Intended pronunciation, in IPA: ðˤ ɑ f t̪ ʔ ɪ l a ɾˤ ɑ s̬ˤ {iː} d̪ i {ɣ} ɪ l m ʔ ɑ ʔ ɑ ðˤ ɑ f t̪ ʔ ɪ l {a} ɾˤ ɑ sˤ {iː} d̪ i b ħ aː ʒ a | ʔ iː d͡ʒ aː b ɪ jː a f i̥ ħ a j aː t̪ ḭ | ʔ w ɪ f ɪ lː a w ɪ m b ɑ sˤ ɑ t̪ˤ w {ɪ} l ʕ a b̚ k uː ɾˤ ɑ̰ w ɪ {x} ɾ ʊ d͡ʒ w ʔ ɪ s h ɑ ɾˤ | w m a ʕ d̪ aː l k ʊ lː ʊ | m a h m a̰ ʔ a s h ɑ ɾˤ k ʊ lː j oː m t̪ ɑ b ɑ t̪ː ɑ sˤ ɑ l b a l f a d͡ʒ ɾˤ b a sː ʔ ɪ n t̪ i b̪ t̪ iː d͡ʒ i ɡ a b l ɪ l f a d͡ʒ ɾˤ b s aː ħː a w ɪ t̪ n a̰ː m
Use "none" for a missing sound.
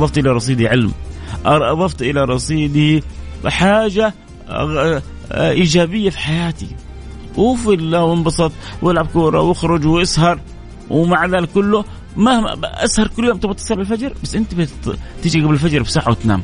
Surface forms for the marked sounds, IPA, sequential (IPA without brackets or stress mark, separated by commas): iː, ʕ, a, iː, ɪ, x